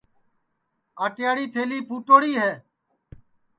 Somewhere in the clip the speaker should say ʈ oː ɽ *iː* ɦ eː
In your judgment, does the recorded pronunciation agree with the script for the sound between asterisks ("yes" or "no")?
yes